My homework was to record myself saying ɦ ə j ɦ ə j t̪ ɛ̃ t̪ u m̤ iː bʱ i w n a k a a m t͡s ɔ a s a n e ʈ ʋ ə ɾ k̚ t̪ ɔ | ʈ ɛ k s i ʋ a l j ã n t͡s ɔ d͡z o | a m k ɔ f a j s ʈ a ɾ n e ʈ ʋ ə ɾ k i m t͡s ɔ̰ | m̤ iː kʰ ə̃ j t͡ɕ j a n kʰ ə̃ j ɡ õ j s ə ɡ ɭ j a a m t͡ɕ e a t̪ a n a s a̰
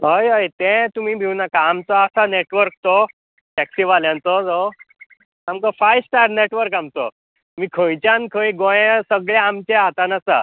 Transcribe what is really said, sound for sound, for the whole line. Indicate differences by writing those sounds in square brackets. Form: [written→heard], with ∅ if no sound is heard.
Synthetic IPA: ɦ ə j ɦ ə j t̪ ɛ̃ t̪ u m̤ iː bʱ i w n a k a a m t͡s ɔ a s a n e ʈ ʋ ə ɾ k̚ t̪ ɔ | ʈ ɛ k s i ʋ a l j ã n t͡s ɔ d͡z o | a m k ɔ f a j s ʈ a ɾ n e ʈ ʋ ə ɾ k [i→a] m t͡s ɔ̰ | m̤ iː kʰ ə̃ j t͡ɕ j a n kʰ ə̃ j ɡ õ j s ə ɡ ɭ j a a m t͡ɕ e a t̪ a n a s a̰